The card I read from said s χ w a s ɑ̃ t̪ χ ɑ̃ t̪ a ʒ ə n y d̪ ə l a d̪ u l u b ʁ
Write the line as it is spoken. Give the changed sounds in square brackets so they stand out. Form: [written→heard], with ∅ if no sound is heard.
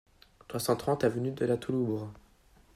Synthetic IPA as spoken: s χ w a s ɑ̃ t̪ χ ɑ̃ t̪ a [ʒ→v] ə n y d̪ ə l a [d̪→t̪] u l u b ʁ